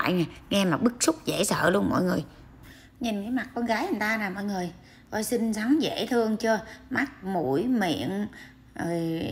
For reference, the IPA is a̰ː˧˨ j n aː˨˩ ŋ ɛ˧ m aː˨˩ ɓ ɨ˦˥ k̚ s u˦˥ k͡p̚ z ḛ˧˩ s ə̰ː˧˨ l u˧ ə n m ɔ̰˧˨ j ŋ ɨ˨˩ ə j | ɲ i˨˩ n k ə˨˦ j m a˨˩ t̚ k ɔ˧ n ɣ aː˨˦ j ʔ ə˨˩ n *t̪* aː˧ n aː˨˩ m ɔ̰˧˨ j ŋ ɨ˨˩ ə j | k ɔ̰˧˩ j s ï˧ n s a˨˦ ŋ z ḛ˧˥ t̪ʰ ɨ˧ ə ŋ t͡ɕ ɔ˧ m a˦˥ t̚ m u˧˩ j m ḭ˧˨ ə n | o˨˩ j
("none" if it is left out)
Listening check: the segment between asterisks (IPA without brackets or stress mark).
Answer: t̪